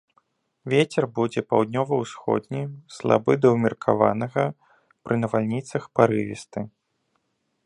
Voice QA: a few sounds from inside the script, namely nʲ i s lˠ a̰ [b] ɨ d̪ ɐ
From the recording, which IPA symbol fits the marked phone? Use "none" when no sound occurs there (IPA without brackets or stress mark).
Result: b